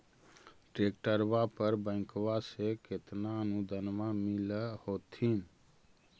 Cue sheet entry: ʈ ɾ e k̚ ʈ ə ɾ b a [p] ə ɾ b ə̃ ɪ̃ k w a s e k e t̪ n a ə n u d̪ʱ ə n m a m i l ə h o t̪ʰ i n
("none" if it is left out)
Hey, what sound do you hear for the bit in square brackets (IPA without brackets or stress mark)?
p